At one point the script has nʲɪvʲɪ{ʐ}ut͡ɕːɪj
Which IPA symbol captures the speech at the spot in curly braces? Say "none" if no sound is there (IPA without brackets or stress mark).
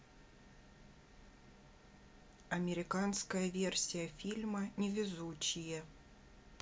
z